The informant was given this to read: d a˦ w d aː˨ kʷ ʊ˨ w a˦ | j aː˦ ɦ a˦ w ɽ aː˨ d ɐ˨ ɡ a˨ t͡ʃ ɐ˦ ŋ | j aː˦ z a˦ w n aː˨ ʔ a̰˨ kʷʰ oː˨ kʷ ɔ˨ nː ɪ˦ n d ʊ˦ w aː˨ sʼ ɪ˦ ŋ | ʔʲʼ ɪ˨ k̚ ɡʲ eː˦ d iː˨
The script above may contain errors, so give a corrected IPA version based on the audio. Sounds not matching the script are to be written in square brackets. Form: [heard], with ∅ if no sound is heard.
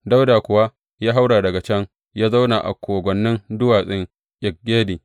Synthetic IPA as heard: d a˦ w d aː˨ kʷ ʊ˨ w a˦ | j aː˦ ɦ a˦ w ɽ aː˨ d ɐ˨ ɡ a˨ t͡ʃ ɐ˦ ŋ | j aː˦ z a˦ w n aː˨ ʔ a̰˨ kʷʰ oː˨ [ɡʷ] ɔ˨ nː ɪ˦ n d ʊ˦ w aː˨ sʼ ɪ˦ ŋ | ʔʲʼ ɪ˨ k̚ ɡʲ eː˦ d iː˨